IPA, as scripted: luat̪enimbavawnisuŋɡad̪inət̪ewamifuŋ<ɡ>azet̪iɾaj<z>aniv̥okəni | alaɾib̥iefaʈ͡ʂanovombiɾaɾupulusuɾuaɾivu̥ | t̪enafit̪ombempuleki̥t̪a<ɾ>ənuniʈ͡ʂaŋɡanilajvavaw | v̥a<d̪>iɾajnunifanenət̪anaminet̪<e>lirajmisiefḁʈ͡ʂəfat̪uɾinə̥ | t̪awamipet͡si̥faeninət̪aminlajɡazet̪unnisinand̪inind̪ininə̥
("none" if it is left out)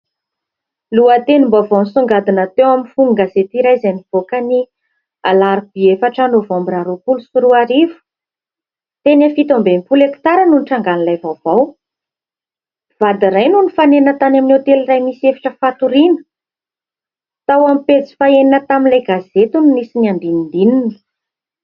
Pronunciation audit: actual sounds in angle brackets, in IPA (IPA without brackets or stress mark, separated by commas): ɡ, z, ɾ, d̪, e